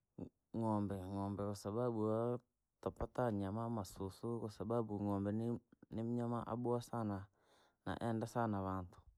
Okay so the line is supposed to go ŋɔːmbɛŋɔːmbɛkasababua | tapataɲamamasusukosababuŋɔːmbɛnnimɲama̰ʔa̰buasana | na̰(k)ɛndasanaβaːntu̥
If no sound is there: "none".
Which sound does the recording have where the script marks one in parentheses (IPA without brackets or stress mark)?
ʔ